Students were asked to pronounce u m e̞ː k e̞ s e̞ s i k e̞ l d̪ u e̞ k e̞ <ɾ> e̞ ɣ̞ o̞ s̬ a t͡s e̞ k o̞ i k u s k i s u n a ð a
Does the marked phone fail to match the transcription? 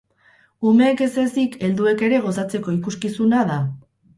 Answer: no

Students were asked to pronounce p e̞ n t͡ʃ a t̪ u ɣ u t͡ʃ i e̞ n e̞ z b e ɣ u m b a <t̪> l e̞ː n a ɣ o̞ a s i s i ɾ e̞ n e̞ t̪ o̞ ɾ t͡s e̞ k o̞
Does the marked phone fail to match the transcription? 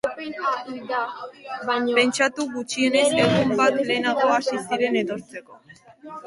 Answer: no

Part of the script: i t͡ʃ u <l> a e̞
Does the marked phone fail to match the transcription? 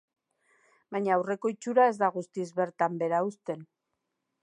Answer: yes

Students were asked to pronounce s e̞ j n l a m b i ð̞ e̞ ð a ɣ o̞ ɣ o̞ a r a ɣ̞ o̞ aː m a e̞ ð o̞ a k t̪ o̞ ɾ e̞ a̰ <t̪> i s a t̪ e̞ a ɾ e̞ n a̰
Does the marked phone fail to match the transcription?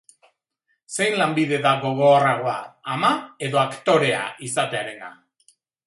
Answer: yes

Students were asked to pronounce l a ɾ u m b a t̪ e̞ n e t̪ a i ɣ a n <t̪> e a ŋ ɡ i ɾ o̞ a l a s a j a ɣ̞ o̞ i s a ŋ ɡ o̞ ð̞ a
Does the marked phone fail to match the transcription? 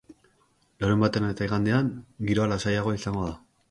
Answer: yes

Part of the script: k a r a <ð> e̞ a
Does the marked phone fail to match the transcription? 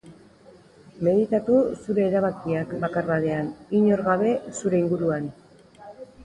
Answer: no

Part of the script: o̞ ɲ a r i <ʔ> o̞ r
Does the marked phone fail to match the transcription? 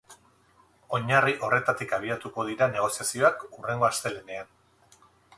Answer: no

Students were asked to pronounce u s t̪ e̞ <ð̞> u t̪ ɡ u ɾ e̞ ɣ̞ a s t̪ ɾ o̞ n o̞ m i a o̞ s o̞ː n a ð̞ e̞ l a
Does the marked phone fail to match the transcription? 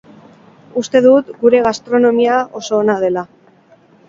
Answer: no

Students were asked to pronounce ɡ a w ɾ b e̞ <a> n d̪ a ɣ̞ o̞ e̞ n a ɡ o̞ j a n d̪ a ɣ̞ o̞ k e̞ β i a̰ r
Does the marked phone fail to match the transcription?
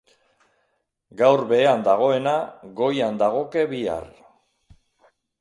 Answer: no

